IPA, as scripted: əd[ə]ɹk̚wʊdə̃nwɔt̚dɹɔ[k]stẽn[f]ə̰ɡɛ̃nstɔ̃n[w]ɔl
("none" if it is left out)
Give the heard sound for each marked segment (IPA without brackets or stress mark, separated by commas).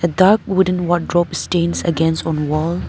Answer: a, p, s, w